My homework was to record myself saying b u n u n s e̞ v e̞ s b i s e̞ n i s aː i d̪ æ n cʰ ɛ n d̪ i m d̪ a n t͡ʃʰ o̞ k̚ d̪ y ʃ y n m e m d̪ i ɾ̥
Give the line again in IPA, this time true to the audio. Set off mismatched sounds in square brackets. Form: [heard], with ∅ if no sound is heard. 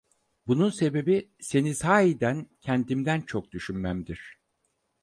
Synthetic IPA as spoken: b u n u n s e̞ [b] e̞ [∅] b i s e̞ n i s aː i d̪ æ n cʰ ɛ n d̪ i m d̪ [æ] n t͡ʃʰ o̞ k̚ d̪ y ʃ y n m [æ] m d̪ i ɾ̥